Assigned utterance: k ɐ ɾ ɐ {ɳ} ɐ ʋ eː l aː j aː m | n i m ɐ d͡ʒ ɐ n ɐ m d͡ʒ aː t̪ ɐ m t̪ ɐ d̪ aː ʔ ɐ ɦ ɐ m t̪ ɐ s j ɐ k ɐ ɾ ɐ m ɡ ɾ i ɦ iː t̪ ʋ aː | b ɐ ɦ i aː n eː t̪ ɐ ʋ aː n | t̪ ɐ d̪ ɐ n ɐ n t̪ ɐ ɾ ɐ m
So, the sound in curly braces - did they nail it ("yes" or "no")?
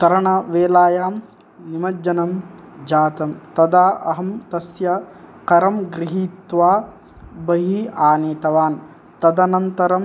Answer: yes